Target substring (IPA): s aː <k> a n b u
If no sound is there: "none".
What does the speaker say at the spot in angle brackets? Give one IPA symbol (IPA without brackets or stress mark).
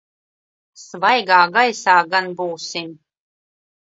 ɡ